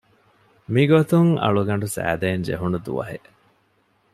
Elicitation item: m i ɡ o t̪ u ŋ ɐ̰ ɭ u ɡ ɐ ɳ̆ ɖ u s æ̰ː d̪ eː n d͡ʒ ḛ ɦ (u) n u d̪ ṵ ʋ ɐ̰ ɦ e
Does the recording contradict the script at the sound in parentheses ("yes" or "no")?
no